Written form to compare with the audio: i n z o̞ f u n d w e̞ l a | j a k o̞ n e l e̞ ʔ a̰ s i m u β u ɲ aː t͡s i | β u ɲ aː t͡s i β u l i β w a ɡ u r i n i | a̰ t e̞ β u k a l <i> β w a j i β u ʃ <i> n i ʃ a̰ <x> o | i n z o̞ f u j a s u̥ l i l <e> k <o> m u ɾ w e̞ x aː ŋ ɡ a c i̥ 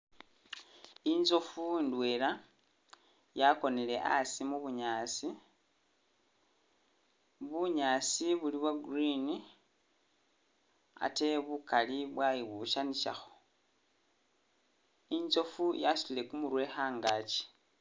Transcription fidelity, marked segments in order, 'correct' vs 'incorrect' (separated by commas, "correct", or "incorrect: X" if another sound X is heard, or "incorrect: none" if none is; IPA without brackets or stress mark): correct, incorrect: a, correct, correct, incorrect: u